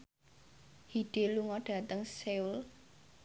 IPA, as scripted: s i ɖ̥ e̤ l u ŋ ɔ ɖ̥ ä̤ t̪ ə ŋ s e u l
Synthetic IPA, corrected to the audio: h i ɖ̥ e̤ l u ŋ ɔ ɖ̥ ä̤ t̪ ə ŋ s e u l